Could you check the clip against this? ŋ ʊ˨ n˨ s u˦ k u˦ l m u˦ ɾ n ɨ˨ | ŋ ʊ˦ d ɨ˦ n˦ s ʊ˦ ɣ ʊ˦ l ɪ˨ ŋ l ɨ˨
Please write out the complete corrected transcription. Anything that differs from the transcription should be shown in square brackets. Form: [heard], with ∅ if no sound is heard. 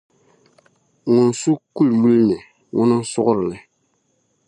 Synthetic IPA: ŋ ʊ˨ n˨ s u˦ k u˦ l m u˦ [l] n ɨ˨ | ŋ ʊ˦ [n] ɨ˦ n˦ s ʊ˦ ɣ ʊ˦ [ɾ] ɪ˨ [∅] l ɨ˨